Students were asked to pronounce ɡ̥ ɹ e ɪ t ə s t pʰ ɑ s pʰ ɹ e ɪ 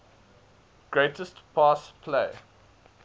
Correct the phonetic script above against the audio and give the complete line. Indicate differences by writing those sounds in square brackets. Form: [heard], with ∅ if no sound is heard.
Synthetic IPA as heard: ɡ̥ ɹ e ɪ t ə s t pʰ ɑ s pʰ [l] e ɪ

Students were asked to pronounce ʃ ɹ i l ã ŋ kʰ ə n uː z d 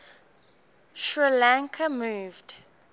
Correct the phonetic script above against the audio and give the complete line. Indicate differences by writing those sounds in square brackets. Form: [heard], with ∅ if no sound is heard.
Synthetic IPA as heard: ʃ ɹ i l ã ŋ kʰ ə [m] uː [v] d

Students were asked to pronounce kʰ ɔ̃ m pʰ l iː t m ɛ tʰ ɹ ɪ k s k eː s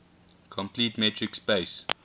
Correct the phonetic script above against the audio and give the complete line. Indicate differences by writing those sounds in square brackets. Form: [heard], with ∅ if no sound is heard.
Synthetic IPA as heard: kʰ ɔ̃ m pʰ l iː t m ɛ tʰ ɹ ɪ k s [p] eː s

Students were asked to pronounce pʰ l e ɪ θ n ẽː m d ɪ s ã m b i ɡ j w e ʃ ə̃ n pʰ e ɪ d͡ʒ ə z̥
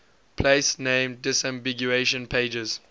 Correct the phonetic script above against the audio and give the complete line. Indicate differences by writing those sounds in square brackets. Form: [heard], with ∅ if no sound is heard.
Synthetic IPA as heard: pʰ l e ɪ [s] n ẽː m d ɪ s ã m b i ɡ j [u] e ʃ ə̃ n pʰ e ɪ d͡ʒ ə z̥

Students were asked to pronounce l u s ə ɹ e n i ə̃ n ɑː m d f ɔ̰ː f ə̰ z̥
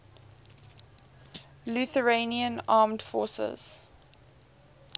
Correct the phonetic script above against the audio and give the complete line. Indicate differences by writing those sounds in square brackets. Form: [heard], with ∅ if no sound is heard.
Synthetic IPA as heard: l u [θ] ə ɹ e n i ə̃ n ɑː m d f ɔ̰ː [s] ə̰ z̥

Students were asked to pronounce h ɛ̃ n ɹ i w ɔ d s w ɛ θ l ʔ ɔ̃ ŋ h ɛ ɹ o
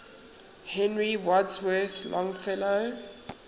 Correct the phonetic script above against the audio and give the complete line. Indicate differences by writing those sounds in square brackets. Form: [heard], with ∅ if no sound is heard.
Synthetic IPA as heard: h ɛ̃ n ɹ i w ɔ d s w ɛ θ l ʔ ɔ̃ ŋ [f] ɛ [l] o

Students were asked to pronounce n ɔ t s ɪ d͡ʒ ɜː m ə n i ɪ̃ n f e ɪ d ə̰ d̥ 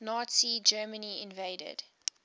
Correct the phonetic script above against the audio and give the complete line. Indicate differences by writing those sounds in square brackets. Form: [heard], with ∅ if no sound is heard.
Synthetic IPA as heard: n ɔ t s [i] d͡ʒ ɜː m ə n i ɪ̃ n [v] e ɪ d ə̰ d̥

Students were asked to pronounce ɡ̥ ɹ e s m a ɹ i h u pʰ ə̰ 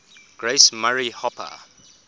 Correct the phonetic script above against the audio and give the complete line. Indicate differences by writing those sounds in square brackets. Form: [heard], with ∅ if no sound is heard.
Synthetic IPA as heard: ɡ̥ ɹ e s m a ɹ i h [ɔ] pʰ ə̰

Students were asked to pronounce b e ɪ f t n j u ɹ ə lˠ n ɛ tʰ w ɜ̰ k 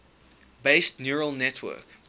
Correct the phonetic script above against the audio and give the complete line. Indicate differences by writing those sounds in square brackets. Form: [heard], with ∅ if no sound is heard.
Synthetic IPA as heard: b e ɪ [s] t n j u ɹ ə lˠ n ɛ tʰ w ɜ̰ k

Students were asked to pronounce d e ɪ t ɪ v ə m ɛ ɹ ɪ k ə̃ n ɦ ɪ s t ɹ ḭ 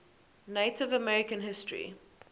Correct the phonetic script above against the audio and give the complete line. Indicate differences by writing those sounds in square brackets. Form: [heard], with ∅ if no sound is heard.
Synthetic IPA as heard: [n] e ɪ t ɪ v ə m ɛ ɹ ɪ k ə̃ n ɦ ɪ s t ɹ ḭ

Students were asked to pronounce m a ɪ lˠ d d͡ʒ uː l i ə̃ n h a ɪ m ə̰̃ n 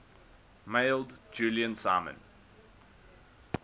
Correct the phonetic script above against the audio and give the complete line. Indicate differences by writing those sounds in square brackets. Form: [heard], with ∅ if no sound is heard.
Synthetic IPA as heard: m [e] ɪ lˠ d d͡ʒ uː l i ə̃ n [s] a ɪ m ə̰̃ n

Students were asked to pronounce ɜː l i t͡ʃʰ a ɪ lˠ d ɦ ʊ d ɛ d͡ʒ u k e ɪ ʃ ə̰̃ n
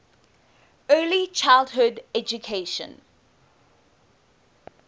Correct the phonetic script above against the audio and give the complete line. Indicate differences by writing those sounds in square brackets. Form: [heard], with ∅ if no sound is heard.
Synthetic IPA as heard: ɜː l i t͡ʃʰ a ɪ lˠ d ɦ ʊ d ɛ d͡ʒ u [kʰ] e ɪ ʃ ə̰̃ n

